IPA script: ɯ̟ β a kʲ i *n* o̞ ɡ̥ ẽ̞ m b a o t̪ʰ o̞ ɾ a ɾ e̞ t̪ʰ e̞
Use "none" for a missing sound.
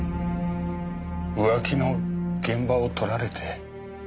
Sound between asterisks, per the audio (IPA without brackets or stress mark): n